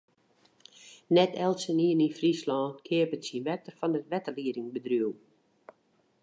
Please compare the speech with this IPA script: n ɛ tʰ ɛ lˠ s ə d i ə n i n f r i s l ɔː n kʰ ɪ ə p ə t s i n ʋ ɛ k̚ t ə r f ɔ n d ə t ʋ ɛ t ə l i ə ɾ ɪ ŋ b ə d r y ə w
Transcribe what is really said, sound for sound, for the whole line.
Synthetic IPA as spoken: n ɛ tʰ ɛ lˠ s ə n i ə n i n f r i s l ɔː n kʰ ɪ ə p ə t s i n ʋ ɛ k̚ t ə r f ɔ n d ə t ʋ ɛ t ə l i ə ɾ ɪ ŋ b ə d r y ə w